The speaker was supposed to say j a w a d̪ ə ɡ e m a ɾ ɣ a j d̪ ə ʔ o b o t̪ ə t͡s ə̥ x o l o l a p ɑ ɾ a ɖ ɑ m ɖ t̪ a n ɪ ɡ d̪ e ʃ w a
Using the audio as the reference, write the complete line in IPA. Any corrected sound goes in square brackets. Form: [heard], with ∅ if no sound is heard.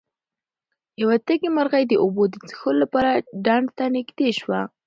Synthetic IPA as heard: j a w a [t̪] ə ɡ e m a ɾ ɣ a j d̪ ə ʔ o b o [d̪] ə t͡s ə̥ x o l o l a p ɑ ɾ a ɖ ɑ [ɳ] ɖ t̪ a n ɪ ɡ d̪ e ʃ w a